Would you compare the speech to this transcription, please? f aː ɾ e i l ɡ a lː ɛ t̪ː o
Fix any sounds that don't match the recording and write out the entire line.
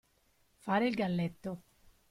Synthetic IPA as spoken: f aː ɾ e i l ɡ a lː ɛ t̪ː o